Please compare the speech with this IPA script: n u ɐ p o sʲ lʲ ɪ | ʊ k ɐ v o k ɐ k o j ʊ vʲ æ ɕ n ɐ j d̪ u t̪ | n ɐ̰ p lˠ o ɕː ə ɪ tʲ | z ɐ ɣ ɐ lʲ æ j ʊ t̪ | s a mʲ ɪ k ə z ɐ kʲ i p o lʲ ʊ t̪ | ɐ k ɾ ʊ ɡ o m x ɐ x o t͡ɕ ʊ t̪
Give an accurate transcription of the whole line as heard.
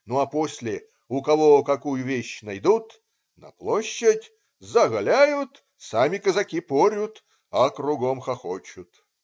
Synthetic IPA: n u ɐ p o sʲ lʲ ɪ | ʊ k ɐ v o k ɐ k u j ʊ vʲ e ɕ n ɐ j d̪ u t̪ | n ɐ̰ p lˠ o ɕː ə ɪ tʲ | z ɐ ɣ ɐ lʲ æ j ʊ t̪ | s a mʲ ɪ k ə z ɐ kʲ i p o ɾʲ ʊ t̪ | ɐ k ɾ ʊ ɡ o m x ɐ x o t͡ɕ ʊ t̪